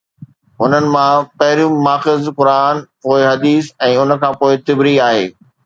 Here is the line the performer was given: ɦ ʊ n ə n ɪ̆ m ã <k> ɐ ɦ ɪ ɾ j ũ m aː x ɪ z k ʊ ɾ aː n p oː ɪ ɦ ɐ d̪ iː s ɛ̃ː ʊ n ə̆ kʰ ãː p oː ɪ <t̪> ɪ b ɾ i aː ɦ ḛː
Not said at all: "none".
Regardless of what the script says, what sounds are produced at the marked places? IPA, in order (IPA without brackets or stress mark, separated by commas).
p, t̪